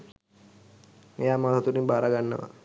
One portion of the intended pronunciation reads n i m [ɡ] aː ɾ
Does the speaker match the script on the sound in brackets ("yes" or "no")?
no